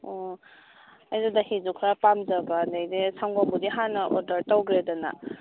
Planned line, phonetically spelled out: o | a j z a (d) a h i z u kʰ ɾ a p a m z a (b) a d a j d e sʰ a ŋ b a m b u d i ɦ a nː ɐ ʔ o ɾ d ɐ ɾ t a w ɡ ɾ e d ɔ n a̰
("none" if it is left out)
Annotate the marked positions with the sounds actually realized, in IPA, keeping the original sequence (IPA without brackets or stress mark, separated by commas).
d, b